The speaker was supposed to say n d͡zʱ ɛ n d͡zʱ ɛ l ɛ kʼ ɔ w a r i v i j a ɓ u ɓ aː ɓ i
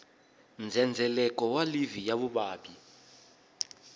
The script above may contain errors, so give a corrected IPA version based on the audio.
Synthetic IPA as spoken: n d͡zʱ ɛ n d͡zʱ ɛ l ɛ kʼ ɔ w a l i v i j a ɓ u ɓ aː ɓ i